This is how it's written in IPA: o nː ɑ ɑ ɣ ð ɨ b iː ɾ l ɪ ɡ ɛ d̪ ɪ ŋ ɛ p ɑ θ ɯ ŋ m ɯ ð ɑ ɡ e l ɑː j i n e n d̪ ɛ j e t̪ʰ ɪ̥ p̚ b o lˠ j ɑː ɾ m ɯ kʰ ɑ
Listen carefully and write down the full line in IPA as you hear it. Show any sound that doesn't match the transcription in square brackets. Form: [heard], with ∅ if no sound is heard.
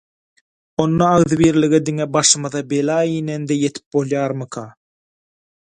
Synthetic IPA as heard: o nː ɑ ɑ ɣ ð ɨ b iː ɾ l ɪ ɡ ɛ d̪ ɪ ŋ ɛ [b] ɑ [ʃ] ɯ [∅] m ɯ ð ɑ [b] e l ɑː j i n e n d̪ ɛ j e t̪ʰ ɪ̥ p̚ b o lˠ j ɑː ɾ m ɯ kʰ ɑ